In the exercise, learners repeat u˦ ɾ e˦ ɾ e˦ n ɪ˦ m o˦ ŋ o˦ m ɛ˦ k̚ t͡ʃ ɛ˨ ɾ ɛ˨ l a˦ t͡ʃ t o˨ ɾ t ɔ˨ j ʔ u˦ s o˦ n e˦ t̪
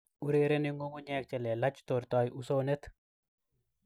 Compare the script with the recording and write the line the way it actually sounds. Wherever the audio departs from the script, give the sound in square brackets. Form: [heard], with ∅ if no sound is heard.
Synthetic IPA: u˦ ɾ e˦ ɾ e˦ n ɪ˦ [ŋ] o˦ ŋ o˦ [ɲ] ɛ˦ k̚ t͡ʃ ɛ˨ [l] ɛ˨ l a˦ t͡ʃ t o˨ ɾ t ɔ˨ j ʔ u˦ s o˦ n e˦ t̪